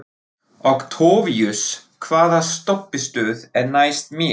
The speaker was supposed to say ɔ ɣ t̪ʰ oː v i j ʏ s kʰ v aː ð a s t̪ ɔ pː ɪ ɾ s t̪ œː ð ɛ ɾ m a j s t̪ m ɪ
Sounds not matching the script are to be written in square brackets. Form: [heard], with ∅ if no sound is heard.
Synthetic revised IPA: ɔ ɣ t̪ʰ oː v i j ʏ s kʰ v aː ð a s t̪ ɔ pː ɪ [∅] s t̪ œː ð ɛ ɾ [n] a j s t̪ m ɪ